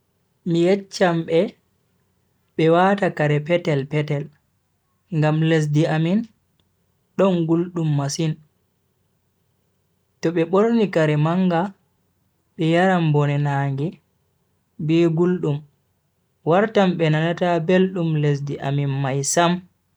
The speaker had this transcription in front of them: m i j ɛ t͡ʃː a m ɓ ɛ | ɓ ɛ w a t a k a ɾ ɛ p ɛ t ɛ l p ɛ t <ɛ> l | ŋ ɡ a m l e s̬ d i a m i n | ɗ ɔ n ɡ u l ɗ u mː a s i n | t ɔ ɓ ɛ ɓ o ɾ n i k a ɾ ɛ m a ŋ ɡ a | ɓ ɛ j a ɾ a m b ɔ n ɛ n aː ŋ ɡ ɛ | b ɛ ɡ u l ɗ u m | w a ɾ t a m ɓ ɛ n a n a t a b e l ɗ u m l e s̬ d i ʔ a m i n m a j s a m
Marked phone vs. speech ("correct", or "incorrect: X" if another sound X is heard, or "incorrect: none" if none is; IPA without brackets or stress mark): correct